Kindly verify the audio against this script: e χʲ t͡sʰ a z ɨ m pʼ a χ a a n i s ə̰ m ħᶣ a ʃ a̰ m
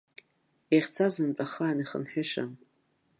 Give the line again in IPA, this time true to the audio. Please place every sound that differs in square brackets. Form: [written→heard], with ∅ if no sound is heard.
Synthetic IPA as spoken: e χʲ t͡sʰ a z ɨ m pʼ a χ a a n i [s→χ] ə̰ [m→n] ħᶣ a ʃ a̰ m